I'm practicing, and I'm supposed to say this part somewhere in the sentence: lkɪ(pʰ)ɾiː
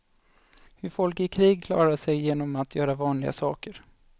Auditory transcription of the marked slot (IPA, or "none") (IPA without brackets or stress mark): kʰ